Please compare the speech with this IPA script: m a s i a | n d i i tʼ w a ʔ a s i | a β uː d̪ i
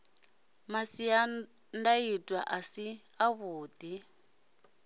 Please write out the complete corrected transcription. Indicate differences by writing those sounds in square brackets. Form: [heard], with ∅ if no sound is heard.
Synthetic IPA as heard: m a s i a | n d [a] i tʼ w a ʔ a s i | a β uː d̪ i